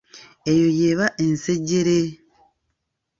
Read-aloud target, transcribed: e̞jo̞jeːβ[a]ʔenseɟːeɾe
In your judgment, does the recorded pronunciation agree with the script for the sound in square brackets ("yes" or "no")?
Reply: yes